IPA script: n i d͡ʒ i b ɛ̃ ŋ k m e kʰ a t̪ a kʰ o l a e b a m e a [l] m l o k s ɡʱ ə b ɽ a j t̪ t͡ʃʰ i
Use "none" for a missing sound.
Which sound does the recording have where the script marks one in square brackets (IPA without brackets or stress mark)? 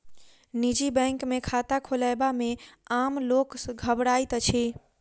none